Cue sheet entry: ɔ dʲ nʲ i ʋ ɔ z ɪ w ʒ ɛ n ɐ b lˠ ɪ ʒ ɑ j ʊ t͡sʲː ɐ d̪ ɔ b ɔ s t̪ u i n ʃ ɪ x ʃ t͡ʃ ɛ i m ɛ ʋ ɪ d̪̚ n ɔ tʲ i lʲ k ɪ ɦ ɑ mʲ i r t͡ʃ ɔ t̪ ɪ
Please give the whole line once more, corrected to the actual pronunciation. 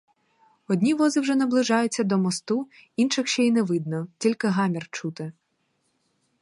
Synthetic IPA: ɔ dʲ nʲ i ʋ ɔ z ɪ w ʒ ɛ n ɐ b lˠ ɪ ʒ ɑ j ʊ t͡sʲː ɐ d̪ ɔ m ɔ s t̪ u i n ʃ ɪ x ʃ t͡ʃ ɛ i n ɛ ʋ ɪ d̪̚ n ɔ tʲ i lʲ k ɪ ɦ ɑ mʲ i r t͡ʃ u t̪ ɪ